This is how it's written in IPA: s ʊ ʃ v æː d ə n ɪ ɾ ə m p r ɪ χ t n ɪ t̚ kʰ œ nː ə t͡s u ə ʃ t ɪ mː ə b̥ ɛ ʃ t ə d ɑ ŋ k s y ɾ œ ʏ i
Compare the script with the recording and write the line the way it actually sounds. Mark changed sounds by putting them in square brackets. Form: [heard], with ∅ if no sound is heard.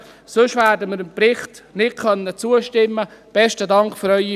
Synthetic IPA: s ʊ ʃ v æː d ə [m] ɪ ɾ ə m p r ɪ χ t n ɪ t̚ kʰ œ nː ə t͡s u ə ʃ t ɪ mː ə b̥ ɛ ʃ t ə d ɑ ŋ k [f] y ɾ œ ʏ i